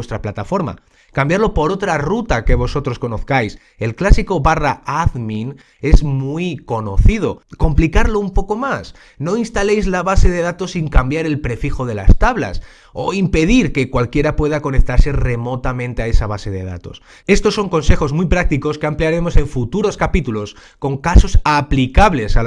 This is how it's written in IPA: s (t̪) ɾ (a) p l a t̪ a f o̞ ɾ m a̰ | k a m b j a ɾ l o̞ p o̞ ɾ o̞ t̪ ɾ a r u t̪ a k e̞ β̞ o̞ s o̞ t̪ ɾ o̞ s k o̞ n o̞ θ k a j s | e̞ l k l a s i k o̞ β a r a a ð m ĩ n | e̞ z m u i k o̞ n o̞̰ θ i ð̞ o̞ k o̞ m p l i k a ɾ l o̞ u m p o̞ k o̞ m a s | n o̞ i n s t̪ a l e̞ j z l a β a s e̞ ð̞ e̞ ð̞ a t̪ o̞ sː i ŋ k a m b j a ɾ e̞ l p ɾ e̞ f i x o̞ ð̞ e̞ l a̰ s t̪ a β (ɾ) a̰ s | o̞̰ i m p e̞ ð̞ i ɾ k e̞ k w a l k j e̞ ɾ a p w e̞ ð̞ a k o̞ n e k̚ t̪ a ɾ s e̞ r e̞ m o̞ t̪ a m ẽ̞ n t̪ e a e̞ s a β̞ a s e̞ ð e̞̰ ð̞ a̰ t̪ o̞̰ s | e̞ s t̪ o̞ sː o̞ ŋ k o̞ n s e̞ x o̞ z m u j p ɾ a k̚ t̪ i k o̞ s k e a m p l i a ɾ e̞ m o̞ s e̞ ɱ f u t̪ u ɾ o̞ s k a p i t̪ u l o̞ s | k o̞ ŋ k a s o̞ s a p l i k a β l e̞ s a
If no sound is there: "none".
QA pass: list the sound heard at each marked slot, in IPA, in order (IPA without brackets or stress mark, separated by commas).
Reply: t̪, a, l